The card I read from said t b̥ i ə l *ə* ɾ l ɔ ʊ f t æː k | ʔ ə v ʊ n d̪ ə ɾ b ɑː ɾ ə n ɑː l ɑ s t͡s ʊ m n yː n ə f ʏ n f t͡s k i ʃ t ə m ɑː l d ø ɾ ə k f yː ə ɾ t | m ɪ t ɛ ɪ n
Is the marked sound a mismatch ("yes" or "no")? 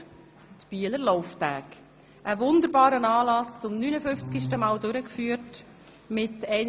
no